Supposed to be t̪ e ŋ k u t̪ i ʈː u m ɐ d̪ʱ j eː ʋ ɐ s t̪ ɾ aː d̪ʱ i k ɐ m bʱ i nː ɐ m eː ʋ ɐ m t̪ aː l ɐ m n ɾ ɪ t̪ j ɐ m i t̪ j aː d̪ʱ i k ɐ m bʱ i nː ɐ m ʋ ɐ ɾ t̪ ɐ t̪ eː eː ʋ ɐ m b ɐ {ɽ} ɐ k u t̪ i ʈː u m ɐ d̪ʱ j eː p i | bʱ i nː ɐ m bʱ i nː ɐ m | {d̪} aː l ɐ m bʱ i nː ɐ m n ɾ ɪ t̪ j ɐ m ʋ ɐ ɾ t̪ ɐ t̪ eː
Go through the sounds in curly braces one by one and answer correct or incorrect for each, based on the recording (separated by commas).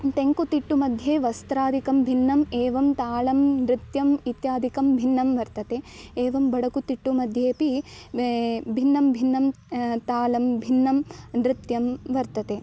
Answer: correct, incorrect